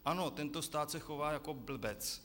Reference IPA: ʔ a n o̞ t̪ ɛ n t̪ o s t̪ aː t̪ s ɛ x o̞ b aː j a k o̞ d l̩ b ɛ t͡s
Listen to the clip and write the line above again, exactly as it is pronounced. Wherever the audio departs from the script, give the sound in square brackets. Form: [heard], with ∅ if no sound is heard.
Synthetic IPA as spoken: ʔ a n o̞ t̪ ɛ n t̪ o s t̪ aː t̪ s ɛ x o̞ [v] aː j a k o̞ [b] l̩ b ɛ t͡s